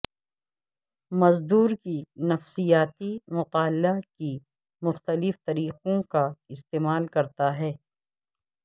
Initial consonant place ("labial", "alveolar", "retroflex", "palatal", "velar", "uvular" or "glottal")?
labial